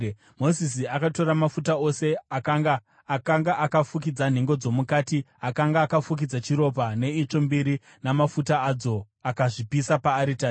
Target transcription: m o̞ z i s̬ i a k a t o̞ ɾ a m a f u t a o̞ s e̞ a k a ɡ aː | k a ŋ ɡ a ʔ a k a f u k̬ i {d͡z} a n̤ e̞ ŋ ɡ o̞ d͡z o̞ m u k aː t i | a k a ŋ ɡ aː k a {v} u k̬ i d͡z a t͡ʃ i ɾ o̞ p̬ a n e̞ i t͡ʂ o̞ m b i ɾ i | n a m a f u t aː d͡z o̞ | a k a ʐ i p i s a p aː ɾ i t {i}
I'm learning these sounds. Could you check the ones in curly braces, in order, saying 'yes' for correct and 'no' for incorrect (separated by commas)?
yes, no, no